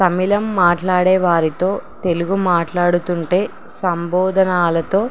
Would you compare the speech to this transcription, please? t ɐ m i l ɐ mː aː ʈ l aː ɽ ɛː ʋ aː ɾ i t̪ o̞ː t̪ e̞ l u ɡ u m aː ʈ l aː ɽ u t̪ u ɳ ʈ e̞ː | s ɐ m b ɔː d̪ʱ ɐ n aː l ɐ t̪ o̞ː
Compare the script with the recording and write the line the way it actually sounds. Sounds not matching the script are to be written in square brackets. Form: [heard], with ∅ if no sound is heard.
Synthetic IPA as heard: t ɐ m i l ɐ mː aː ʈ l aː ɽ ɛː ʋ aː ɾ i t̪ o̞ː t̪ e̞ l u ɡ u m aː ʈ l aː ɽ u t̪ u ɳ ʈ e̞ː | s ɐ m b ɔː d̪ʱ ɐ n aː l ɐ t̪ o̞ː